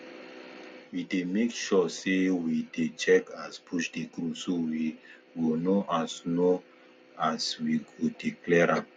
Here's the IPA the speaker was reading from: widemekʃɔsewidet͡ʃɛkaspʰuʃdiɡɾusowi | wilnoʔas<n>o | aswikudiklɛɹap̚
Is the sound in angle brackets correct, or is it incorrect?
correct